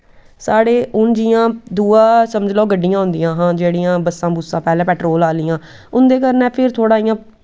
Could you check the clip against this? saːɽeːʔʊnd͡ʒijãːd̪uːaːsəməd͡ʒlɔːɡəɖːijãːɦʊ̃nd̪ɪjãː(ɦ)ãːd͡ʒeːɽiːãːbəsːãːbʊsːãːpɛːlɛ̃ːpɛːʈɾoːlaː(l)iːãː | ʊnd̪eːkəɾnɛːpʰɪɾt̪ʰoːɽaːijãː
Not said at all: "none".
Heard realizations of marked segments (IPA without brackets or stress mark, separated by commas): ɦ, l